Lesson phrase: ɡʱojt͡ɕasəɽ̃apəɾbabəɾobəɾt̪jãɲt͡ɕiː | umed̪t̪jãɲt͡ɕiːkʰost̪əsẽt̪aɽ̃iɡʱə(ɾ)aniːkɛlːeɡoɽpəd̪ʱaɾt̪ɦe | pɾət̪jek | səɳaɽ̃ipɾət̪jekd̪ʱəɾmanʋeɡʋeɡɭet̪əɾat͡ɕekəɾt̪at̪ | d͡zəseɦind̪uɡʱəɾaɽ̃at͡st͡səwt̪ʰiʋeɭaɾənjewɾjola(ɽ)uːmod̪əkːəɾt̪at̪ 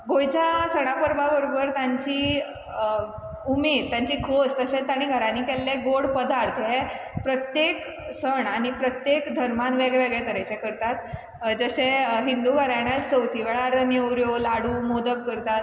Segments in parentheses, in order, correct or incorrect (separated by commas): correct, correct